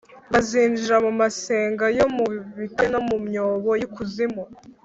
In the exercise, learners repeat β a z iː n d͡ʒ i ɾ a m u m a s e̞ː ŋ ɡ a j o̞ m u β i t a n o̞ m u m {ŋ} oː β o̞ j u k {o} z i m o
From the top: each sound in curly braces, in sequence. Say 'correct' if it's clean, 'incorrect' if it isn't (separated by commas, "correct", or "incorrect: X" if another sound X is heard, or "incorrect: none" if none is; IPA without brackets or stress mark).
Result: incorrect: ɲ, incorrect: u